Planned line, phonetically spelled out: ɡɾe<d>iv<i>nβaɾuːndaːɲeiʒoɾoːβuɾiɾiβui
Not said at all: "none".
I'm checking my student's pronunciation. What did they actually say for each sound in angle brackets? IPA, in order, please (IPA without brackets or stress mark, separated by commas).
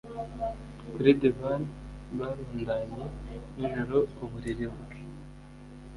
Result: d, a